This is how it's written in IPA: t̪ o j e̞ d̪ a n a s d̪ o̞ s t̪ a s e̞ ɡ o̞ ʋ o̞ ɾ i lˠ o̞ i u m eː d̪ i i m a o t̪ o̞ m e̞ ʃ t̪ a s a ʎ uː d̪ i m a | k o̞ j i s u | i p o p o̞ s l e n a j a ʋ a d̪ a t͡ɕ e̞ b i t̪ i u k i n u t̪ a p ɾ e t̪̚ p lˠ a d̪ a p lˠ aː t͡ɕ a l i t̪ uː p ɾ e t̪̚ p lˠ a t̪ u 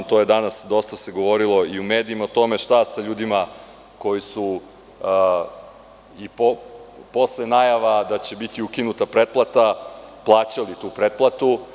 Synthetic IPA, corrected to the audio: t̪ o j e̞ d̪ a n a s d̪ o̞ s t̪ a s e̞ ɡ o̞ ʋ o̞ ɾ i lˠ o̞ i u m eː d̪ i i m a o t̪ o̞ m e̞ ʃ t̪ a s a ʎ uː d̪ i m a | k o̞ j i s u | i p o p o̞ s l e n a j a ʋ a d̪ a t͡ɕ e̞ b i t̪ i u k i n u t̪ a p ɾ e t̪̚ p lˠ a t̪ a p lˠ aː t͡ɕ a l i t̪ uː p ɾ e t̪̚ p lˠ a t̪ u